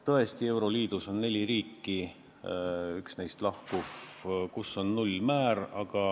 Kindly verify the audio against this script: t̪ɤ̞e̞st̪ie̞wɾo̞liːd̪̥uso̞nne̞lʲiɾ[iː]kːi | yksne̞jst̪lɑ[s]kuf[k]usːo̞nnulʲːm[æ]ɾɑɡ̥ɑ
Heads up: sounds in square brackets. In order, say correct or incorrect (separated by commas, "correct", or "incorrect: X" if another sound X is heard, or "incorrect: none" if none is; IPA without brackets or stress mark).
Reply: correct, incorrect: h, correct, incorrect: æː